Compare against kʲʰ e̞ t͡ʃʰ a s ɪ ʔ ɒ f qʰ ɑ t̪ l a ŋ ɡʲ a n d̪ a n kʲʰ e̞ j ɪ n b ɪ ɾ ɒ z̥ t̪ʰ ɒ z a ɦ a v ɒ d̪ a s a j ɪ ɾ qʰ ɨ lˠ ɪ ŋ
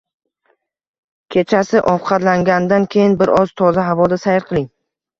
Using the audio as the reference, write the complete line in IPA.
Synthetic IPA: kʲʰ e̞ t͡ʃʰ a s ɪ ʔ ɒ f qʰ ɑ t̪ l a ŋ ɡʲ a n d̪ a n kʲʰ e̞ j ɪ n b ɪ ɾ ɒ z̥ t̪ʰ ɒ z a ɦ a v ɒ d̪ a s a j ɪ ɾ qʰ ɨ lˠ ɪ ŋ